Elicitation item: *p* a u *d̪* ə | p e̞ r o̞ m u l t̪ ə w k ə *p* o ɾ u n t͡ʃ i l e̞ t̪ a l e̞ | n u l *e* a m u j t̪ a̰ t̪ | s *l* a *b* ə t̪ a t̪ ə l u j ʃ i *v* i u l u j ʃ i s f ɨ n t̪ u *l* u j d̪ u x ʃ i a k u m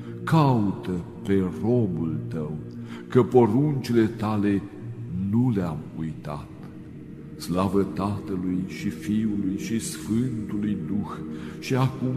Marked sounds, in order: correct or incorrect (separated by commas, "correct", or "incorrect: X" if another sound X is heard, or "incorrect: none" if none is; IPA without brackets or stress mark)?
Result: incorrect: k, incorrect: t̪, correct, correct, correct, incorrect: v, incorrect: f, correct